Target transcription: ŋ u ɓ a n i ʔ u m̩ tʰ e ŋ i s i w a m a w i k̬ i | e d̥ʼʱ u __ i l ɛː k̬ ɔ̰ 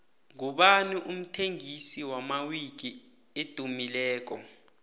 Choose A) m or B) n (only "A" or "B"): A